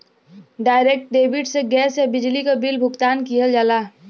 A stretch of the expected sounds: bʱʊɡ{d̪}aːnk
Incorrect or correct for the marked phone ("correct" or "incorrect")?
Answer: incorrect